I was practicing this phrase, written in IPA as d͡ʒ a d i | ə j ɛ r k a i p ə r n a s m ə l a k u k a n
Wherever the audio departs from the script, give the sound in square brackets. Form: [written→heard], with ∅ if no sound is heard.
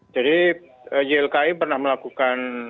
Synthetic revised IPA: d͡ʒ a d i | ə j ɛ [r→l] k a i p ə r n a [s→h] m ə l a k u k a n